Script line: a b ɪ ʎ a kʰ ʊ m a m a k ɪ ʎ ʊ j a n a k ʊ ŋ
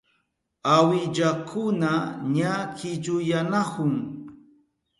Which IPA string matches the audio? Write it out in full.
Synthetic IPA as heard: a w ɪ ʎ a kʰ ʊ n a ɲ a k ɪ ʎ ʊ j a n a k ʊ ŋ